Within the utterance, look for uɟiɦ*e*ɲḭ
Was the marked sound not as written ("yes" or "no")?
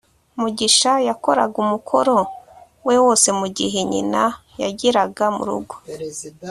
no